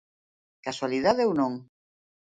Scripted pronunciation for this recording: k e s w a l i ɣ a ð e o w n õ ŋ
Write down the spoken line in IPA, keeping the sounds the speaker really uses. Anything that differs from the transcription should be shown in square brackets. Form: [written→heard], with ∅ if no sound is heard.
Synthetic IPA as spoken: k [e→a] s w a l i [ɣ→ð] a ð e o w n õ ŋ